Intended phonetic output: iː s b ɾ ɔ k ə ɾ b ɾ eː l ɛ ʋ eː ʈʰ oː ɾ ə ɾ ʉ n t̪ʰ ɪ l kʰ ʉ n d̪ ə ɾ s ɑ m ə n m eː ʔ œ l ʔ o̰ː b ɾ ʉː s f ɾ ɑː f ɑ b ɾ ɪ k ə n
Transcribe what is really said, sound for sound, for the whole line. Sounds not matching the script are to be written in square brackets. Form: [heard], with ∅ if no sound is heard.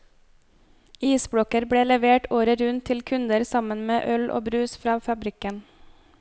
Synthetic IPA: iː s b [ɽ] ɔ k ə ɾ b [ɽ] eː l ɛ ʋ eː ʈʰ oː ɾ ə ɾ ʉ n t̪ʰ ɪ l kʰ ʉ n d̪ ə ɾ s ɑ m ə n m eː ʔ œ l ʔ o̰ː b ɾ ʉː s f ɾ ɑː f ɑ b ɾ ɪ k ə n